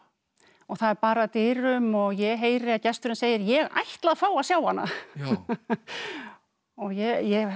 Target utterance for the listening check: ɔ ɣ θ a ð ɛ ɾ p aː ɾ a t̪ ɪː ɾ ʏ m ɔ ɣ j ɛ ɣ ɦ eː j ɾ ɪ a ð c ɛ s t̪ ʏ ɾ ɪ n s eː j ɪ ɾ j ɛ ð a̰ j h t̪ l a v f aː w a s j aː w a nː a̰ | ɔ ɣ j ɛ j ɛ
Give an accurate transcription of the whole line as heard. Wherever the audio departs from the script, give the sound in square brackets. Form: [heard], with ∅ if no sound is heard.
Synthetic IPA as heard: ɔ ɣ θ a ð ɛ ɾ p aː ɾ a t̪ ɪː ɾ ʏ m ɔ ɣ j ɛ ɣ ɦ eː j ɾ ɪ a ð c ɛ s t̪ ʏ ɾ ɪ n s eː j ɪ ɾ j ɛ [ɣ] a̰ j h t̪ l a [ð] f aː w a s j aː w a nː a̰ | ɔ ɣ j ɛ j ɛ